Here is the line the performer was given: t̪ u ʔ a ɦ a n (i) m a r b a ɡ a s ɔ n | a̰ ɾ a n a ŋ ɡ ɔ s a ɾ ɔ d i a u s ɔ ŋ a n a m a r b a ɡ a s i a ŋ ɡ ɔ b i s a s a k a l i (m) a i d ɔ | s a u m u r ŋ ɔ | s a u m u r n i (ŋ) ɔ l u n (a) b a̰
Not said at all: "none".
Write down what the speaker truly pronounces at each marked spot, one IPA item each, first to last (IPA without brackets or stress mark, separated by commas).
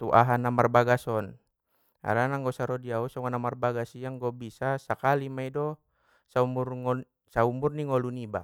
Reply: a, m, ŋ, i